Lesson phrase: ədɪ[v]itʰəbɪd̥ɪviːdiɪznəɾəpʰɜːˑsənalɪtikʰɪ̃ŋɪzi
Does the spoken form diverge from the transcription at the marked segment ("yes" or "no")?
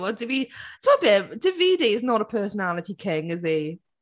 no